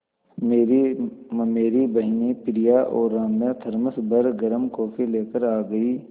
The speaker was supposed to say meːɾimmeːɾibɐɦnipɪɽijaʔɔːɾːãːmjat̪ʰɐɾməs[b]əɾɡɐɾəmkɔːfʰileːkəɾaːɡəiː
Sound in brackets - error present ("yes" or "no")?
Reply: no